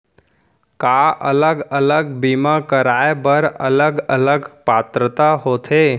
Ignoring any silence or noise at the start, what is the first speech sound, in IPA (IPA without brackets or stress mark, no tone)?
k